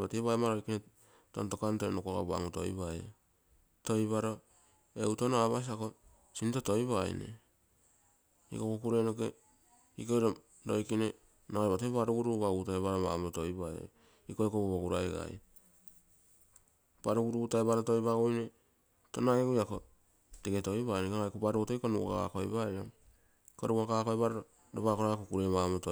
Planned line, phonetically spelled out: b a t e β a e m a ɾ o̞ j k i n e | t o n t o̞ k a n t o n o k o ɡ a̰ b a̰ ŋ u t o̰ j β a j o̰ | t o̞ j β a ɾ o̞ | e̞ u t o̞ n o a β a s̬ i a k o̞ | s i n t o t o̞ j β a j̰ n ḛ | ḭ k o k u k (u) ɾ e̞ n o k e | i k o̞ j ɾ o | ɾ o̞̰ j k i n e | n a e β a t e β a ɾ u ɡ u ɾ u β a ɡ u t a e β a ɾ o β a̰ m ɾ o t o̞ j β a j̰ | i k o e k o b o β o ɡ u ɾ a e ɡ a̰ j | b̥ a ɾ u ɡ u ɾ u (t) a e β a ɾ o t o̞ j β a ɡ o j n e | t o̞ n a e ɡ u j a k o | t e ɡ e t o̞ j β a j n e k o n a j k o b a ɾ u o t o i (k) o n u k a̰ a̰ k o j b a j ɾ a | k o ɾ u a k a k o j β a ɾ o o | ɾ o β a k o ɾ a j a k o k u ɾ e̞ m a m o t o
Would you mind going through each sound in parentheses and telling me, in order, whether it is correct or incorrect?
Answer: correct, correct, correct

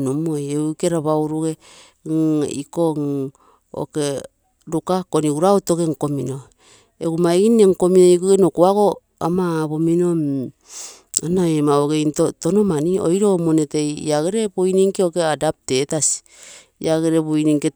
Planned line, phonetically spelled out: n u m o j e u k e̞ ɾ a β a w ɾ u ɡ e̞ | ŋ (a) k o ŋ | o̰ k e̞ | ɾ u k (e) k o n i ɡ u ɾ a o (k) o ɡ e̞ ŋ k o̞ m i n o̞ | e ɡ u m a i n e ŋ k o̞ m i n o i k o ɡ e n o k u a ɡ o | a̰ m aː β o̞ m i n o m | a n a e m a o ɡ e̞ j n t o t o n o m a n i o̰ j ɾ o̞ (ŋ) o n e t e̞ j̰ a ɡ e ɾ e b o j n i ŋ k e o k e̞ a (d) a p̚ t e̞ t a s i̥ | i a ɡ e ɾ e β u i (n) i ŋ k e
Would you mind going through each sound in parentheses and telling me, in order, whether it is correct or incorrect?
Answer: incorrect: i, incorrect: a, incorrect: t, incorrect: m, correct, correct

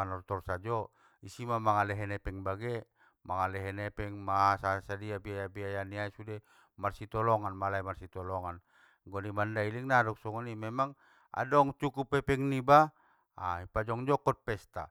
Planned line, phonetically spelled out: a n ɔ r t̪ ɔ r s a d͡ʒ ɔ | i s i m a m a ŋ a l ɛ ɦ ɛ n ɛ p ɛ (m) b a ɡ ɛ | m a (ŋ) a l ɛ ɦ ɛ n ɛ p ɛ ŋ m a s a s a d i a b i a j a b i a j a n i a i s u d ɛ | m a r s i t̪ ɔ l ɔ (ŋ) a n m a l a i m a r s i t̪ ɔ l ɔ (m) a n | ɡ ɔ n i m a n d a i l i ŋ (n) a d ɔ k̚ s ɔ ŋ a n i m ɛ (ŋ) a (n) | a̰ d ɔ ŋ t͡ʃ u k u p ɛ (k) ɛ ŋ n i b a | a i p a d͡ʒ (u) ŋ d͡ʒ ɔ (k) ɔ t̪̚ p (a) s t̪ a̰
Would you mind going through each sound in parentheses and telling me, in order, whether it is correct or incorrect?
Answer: incorrect: ŋ, correct, correct, incorrect: ŋ, correct, incorrect: m, incorrect: ŋ, incorrect: p, incorrect: ɔ, correct, incorrect: ɛ

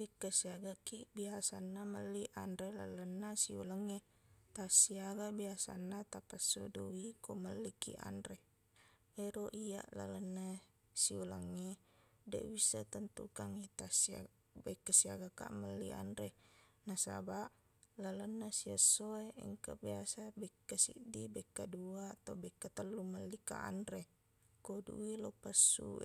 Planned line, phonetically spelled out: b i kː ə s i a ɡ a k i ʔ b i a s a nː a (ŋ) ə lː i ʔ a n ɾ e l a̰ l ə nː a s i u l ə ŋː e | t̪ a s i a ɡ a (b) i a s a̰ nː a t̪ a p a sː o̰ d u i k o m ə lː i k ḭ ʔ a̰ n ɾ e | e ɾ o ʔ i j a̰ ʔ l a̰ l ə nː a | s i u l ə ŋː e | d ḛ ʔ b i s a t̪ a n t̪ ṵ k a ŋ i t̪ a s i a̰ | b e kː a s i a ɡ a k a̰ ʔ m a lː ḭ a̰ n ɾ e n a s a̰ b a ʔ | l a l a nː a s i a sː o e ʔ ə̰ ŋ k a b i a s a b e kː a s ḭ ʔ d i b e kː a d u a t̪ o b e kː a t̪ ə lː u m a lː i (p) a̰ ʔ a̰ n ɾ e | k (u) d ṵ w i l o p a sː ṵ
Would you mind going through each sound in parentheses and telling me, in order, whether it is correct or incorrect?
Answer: incorrect: m, correct, incorrect: k, incorrect: o

